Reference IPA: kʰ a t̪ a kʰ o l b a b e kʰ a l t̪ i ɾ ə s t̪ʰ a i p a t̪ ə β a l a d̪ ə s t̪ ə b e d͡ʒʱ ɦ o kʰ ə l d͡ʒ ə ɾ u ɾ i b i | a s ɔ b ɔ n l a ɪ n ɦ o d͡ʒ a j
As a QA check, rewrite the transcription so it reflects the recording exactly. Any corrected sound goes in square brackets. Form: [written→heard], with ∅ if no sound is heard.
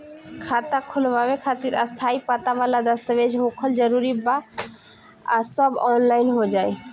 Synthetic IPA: kʰ a t̪ a kʰ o l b a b e kʰ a [l→∅] t̪ i ɾ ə s t̪ʰ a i p a t̪ [ə→a] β a l a d̪ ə s t̪ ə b e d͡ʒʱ ɦ o kʰ ə l d͡ʒ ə ɾ u ɾ i b [i→a] | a s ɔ b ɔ n l a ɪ n ɦ o d͡ʒ a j